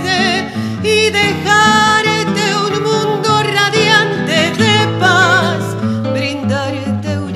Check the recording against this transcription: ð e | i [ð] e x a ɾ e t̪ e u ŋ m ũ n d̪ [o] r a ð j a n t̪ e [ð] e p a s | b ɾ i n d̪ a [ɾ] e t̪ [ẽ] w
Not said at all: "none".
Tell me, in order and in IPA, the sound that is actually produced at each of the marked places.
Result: ð, o, ð, ɾ, e

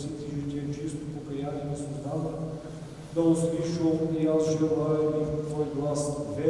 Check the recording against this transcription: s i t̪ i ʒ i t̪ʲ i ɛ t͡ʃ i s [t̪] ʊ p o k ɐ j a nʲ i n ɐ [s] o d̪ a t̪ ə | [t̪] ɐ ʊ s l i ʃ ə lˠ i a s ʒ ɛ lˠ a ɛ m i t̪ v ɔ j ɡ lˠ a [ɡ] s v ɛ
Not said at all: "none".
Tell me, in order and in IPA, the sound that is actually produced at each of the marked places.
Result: t̪, s, d̪, none

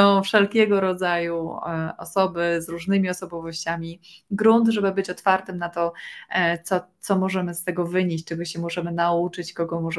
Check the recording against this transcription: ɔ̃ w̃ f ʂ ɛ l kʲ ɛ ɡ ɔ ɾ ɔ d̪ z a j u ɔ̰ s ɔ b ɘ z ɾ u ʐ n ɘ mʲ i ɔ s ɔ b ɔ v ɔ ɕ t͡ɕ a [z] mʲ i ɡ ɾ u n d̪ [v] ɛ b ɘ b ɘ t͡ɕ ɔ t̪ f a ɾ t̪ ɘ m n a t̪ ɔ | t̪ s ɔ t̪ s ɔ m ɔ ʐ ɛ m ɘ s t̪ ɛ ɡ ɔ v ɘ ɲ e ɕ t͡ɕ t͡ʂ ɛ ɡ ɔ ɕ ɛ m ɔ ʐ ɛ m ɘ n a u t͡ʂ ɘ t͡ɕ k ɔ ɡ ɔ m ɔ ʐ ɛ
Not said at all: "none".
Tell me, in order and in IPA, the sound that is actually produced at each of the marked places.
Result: none, ʐ

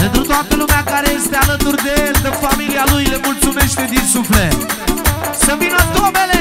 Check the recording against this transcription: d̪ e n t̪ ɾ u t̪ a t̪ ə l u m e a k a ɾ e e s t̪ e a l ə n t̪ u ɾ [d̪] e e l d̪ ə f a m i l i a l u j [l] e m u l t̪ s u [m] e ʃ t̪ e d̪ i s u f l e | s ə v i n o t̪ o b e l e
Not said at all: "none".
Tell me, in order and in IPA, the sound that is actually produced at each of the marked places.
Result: d̪, l, m

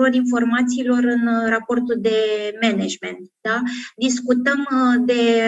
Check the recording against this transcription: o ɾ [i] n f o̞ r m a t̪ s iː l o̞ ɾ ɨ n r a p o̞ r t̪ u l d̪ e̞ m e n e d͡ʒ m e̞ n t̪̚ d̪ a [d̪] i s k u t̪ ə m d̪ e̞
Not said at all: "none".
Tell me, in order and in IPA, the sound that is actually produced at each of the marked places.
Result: i, d̪

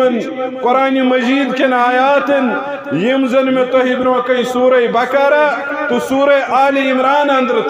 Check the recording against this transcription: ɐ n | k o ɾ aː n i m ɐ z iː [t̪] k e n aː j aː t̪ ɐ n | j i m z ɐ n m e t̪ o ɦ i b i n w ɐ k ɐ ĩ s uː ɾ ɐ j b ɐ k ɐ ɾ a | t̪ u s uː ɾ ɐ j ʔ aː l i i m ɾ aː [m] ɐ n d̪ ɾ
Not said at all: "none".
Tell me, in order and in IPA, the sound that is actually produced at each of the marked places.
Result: d̪, n

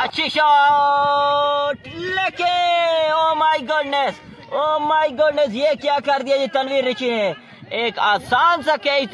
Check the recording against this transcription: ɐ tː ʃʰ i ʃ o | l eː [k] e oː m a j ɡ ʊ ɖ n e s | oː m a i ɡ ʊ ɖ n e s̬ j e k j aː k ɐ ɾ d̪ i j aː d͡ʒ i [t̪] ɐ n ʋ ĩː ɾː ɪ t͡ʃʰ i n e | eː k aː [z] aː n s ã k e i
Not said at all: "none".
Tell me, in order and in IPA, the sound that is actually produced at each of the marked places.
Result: k, t̪, s

